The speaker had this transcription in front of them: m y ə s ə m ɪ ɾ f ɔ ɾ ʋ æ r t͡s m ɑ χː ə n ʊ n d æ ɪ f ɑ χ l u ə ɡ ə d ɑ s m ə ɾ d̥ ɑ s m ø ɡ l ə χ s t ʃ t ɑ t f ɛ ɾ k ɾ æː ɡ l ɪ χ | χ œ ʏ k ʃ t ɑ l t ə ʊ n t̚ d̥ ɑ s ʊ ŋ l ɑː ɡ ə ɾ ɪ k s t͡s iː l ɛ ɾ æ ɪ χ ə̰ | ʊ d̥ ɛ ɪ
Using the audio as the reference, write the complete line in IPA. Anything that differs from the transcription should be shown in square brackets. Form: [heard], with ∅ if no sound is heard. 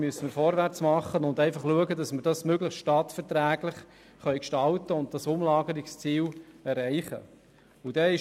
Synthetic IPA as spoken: m y ə s ə m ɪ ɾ f ɔ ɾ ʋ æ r t͡s m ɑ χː ə n ʊ n d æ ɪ f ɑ χ l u ə ɡ ə d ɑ s m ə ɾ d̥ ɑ s m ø ɡ l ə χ s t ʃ t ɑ t f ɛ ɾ [t] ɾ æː ɡ l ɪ χ | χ œ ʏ k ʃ t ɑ l t ə ʊ n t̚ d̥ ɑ s ʊ [m] l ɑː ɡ ə ɾ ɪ k s t͡s iː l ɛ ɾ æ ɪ χ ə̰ | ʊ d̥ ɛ ɪ